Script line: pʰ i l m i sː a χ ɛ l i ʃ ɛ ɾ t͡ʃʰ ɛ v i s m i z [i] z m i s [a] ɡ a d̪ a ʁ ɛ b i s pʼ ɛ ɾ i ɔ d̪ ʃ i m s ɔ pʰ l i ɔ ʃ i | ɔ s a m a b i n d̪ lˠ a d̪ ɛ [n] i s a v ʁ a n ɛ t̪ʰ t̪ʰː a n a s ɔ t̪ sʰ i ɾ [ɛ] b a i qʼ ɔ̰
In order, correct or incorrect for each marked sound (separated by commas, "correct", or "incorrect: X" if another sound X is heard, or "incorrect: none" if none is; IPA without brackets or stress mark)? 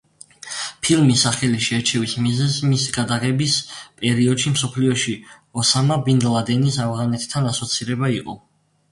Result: incorrect: ɛ, incorrect: i, correct, correct